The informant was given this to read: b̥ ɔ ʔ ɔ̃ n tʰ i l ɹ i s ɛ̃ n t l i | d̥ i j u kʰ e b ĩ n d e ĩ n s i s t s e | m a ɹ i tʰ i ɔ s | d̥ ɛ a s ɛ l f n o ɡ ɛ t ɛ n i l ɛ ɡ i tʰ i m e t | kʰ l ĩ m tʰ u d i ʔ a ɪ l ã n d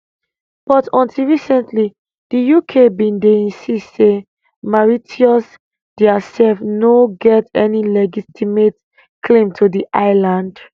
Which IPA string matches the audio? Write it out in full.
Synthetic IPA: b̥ ɔ t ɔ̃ n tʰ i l ɹ i s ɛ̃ n t l i | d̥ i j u kʰ e b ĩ n d e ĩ n s i s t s e | m a ɹ i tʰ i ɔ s | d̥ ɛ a s ɛ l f n o ɡ ɛ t ɛ n i l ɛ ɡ i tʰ i m e t | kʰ l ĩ m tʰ u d i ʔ a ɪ l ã n d